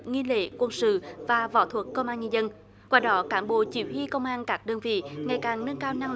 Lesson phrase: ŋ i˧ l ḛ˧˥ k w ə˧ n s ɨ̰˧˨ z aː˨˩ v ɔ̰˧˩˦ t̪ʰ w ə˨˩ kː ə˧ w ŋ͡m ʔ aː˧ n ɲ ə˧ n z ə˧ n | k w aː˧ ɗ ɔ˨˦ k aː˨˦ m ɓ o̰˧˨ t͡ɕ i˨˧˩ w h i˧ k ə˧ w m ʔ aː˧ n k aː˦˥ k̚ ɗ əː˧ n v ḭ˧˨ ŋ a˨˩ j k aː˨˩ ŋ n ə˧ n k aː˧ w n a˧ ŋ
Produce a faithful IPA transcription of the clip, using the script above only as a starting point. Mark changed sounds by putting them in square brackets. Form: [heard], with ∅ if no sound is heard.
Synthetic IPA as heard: ŋ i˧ l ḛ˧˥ k w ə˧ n s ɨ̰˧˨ [v] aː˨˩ v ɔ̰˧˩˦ t̪ʰ w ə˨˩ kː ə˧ w ŋ͡m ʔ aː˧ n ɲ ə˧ n z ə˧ n | k w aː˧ ɗ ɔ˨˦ k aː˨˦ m ɓ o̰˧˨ t͡ɕ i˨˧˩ w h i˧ k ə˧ w [ŋ͡m] ʔ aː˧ n k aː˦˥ k̚ ɗ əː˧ n v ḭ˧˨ ŋ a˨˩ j k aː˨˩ ŋ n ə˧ n k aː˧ w n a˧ ŋ